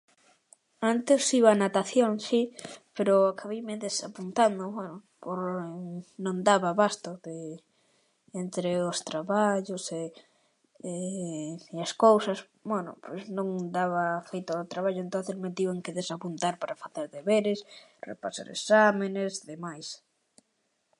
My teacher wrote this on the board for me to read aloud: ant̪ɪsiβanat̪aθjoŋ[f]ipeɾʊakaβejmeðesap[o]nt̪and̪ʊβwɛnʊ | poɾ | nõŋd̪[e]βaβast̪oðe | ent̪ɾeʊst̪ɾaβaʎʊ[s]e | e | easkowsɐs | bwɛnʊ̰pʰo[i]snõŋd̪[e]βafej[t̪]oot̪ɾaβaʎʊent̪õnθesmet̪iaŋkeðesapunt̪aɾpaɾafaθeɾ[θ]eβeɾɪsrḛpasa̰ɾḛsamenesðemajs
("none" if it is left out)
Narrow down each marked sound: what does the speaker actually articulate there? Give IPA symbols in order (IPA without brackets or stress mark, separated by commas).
s, u, a, s, j, a, t̪, ð